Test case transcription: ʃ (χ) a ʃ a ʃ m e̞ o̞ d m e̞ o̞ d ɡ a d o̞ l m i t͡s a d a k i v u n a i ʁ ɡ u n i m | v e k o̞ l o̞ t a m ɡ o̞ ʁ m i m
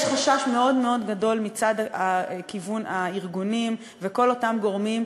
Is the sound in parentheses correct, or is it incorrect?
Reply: correct